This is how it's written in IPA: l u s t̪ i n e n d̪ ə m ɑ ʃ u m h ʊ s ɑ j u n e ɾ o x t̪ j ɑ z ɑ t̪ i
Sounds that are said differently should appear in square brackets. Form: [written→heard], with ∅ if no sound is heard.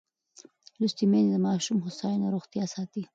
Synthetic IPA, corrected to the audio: l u s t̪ i [n→m] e n d̪ ə m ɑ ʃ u m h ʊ s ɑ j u n [e→a] ɾ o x t̪ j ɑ [z→s] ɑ t̪ i